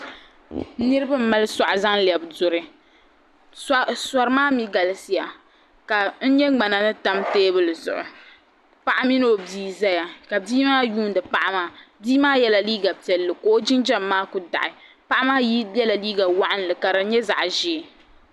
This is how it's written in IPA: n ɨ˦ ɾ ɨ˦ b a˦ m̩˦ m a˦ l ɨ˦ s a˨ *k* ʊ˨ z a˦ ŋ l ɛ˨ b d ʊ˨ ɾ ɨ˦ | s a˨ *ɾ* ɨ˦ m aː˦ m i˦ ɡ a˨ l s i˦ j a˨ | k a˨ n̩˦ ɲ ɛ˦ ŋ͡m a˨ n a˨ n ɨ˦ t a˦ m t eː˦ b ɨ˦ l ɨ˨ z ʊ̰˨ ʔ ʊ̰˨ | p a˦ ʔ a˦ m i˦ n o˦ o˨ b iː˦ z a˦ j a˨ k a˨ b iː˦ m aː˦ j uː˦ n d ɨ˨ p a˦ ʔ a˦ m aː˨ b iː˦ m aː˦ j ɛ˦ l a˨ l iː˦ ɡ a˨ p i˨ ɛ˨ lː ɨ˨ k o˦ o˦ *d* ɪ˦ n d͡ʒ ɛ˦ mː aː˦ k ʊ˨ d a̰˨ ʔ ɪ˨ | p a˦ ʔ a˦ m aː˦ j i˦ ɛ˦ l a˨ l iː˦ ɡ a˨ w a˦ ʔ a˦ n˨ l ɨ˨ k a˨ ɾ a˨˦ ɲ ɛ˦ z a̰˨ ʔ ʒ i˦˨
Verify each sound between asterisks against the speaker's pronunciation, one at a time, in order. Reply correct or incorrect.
incorrect, correct, incorrect

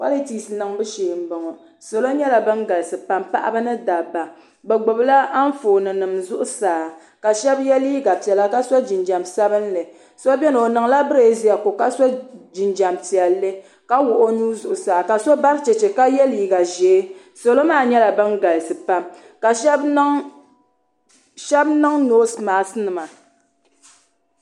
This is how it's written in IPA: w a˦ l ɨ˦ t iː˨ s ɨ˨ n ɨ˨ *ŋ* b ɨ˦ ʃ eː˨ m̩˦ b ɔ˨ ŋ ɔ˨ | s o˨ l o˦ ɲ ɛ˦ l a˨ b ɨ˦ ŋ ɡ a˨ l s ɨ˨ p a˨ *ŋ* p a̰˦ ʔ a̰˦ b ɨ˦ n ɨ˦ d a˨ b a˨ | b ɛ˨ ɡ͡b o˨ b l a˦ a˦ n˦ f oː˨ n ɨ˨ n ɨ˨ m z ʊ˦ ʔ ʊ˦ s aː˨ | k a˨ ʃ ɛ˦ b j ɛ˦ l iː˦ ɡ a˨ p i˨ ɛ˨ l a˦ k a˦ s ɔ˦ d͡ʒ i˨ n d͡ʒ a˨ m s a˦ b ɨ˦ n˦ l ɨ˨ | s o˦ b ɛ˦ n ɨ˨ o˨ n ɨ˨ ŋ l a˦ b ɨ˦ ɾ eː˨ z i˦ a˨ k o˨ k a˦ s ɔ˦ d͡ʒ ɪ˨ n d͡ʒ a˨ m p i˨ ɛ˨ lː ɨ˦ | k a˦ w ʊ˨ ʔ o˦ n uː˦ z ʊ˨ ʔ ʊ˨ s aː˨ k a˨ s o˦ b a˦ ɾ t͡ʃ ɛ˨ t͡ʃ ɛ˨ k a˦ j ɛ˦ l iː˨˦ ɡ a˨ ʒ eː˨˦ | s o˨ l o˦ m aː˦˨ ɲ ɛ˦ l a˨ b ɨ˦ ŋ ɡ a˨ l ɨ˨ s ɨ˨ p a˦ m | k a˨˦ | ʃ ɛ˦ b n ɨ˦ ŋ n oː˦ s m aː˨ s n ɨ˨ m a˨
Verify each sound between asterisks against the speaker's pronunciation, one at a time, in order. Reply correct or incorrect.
correct, incorrect

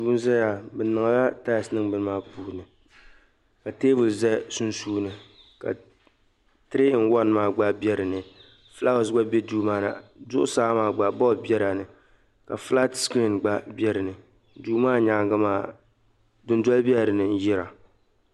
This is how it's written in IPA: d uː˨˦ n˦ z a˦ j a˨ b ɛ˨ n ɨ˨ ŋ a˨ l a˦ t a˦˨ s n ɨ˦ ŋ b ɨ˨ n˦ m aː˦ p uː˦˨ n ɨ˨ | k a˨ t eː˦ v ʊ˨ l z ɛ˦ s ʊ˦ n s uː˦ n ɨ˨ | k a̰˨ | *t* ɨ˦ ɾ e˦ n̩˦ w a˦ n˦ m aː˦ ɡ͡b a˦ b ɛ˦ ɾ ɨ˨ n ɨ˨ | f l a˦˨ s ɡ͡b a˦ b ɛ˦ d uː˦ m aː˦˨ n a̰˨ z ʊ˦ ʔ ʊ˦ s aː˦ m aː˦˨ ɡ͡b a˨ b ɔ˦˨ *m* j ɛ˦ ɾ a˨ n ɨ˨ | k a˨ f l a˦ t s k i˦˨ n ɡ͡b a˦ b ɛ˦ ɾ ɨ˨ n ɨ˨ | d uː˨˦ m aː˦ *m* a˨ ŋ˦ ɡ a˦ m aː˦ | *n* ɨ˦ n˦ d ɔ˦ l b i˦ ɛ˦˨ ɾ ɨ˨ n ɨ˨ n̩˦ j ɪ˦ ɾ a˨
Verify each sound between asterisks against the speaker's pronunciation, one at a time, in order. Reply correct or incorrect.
correct, incorrect, incorrect, incorrect

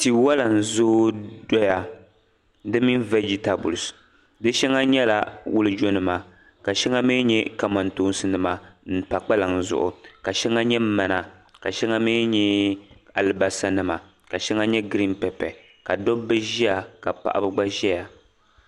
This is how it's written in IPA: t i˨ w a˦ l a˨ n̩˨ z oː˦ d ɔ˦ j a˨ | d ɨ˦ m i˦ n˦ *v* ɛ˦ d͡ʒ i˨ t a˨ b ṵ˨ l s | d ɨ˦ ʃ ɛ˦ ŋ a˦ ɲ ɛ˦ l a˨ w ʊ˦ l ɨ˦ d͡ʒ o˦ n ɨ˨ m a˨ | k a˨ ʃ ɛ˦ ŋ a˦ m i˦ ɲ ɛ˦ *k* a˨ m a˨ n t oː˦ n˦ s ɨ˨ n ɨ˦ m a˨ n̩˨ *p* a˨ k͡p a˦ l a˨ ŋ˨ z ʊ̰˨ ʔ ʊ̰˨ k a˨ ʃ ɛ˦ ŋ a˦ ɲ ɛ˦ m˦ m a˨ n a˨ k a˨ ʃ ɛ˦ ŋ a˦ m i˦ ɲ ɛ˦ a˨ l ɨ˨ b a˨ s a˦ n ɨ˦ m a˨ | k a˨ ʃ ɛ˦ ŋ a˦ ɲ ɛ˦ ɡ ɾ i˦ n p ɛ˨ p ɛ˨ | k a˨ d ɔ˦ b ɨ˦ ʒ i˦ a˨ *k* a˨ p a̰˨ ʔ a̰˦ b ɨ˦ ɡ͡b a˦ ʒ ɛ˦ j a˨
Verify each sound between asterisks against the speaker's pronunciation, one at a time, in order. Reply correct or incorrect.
correct, correct, correct, correct

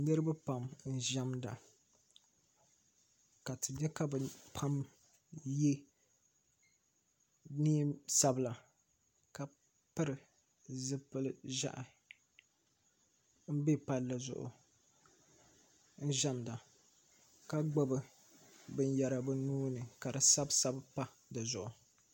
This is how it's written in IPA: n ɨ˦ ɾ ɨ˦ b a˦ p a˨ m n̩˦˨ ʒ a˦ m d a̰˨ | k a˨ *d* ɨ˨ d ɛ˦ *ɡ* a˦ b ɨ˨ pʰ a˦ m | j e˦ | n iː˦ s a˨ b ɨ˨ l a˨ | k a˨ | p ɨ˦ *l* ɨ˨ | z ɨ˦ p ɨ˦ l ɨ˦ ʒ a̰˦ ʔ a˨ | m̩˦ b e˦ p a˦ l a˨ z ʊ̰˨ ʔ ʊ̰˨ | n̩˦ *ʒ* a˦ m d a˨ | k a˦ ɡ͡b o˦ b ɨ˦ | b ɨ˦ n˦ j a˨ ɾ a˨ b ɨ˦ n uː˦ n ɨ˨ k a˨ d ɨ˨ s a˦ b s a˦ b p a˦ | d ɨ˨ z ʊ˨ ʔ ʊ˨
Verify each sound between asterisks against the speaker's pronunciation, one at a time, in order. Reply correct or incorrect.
incorrect, incorrect, incorrect, correct

